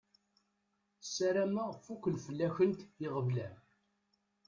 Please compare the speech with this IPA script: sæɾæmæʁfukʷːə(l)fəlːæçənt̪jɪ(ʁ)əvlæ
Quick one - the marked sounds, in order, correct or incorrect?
correct, correct

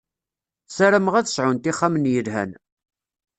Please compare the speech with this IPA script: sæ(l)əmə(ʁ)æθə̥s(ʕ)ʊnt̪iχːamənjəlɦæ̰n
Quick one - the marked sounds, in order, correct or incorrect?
incorrect: ɾ, correct, correct

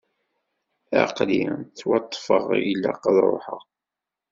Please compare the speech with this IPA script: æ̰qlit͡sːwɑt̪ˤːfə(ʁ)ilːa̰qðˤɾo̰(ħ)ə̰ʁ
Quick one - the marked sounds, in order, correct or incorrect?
correct, correct

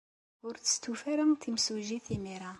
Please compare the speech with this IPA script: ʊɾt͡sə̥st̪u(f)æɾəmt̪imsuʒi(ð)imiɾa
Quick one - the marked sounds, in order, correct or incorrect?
correct, incorrect: θ

